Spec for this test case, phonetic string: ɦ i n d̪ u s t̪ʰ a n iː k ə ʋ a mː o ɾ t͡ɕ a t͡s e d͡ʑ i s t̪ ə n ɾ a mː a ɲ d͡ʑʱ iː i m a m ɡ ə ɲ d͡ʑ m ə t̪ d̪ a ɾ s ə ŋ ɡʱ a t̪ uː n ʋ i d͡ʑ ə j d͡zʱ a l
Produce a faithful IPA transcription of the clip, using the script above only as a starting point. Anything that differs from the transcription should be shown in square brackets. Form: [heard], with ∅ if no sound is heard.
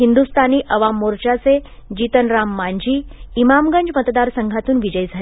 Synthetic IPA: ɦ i n d̪ u s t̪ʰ a n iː [ʔ] ə ʋ a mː o ɾ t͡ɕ a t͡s e d͡ʑ i [∅] t̪ ə n ɾ a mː a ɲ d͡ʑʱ iː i m a m ɡ ə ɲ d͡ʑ m ə t̪ d̪ a ɾ s ə ŋ ɡʱ a t̪ uː n ʋ i d͡ʑ ə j d͡zʱ a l